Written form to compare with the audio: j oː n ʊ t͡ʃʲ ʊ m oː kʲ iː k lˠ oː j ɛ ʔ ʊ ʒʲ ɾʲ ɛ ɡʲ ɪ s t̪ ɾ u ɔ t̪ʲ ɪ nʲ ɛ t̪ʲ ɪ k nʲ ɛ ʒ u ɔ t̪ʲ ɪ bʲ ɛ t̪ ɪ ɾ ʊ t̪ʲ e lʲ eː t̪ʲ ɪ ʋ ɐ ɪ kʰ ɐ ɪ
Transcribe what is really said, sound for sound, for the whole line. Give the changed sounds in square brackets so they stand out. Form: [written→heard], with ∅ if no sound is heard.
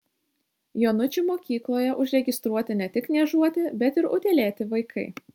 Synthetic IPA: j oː n ʊ t͡ʃʲ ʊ m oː kʲ iː k lˠ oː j ɛ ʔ ʊ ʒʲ ɾʲ ɛ ɡʲ ɪ s t̪ ɾ u ɔ t̪ʲ ɪ nʲ ɛ t̪ʲ ɪ k nʲ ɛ ʒ u ɔ t̪ʲ ɪ bʲ ɛ t̪ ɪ ɾ ʊ t̪ʲ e lʲ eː t̪ʲ ɪ ʋ ɐ ɪ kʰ ɐ ɪ